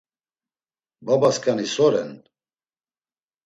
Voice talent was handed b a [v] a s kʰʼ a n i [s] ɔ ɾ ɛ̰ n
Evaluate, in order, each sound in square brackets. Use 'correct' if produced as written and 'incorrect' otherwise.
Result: incorrect: b, correct

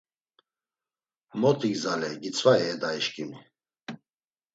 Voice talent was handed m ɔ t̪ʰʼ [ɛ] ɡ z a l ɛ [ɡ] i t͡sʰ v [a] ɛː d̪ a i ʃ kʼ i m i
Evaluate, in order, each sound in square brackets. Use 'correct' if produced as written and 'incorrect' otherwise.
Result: incorrect: i, correct, correct

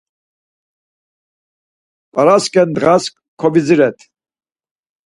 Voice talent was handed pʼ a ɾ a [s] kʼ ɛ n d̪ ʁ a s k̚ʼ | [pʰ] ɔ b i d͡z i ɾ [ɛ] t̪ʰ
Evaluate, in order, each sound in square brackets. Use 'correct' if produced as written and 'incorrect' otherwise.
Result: correct, incorrect: kʰ, correct

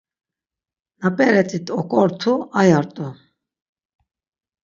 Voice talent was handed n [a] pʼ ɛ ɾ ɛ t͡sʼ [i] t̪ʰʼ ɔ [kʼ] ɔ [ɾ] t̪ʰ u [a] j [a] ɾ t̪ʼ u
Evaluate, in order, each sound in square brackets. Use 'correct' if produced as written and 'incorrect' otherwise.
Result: correct, correct, correct, correct, correct, correct

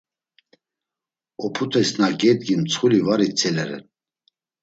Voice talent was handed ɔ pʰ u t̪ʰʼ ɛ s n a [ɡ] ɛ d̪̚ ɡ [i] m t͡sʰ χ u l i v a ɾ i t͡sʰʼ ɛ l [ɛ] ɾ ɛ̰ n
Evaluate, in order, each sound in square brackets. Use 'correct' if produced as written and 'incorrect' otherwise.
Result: correct, correct, correct

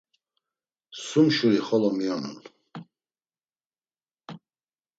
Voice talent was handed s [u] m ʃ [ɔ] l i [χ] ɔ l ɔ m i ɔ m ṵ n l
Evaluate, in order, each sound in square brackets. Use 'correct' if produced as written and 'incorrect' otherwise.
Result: correct, incorrect: u, correct

